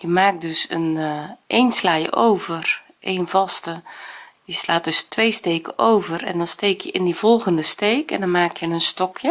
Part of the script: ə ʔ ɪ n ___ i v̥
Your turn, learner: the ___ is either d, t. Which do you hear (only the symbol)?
d